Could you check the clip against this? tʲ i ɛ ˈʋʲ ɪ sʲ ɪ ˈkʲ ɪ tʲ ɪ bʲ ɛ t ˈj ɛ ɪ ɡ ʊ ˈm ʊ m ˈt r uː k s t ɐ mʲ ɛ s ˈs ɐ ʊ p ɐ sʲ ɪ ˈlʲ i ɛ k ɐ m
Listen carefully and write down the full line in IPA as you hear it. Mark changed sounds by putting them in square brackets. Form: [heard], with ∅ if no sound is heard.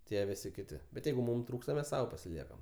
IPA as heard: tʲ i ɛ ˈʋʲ ɪ sʲ ɪ ˈkʲ ɪ tʲ ɪ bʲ ɛ t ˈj ɛ ɪ ɡ ʊ ˈm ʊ m ˈt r uː k s t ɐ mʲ ɛ s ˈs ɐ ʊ p ɐ sʲ ɪ ˈlʲ i ɛ k ɐ m